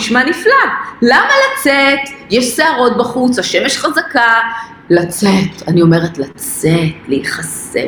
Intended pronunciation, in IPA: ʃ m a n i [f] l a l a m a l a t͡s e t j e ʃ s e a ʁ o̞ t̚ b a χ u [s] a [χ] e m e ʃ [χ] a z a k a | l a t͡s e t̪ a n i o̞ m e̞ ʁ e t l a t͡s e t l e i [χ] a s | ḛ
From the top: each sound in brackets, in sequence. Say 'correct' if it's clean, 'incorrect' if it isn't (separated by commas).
correct, incorrect, incorrect, correct, correct